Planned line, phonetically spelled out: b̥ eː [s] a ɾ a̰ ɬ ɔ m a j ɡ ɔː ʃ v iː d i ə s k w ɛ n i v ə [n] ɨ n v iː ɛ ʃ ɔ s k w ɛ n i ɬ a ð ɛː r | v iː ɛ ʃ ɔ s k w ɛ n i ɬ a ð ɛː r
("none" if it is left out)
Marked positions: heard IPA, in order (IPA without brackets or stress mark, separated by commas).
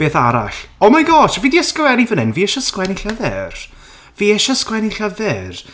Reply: θ, n